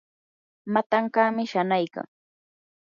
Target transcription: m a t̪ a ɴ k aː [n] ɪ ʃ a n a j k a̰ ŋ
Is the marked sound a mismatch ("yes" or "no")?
yes